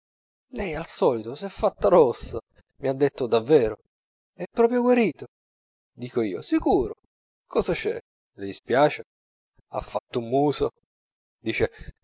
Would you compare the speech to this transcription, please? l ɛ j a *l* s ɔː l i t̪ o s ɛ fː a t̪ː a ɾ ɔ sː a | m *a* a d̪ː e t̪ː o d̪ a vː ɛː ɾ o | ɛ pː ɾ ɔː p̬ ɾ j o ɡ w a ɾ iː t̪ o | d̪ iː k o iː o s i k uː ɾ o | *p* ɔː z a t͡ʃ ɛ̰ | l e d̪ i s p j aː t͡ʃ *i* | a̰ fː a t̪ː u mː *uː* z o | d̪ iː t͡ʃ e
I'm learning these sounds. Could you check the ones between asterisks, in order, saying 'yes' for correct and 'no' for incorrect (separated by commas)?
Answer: yes, no, no, no, yes